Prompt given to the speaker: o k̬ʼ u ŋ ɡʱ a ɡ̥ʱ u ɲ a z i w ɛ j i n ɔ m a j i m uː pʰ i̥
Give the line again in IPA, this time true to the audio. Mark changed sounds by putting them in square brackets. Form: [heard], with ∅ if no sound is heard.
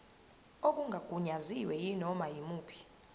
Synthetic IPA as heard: o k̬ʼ u ŋ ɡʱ a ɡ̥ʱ u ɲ a z i w ɛ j i n ɔ m a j i m uː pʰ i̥